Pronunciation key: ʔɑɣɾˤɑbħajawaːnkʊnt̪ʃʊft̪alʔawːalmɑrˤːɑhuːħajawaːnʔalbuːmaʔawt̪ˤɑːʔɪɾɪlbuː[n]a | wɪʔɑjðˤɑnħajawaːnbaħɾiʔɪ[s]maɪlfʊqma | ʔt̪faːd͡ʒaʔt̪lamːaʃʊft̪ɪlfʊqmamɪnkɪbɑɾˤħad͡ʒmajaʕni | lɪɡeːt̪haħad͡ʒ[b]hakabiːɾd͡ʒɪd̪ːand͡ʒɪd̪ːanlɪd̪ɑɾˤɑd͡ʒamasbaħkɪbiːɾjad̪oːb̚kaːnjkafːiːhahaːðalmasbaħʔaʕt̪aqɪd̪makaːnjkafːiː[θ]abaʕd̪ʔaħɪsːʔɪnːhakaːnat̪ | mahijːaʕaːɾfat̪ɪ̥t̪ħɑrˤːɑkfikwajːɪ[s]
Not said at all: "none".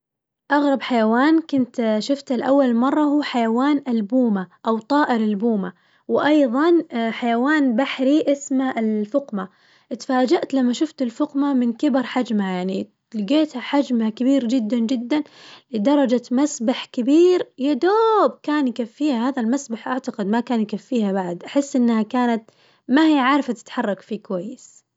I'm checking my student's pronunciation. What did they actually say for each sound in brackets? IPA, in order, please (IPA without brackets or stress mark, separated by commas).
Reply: m, s, m, h, s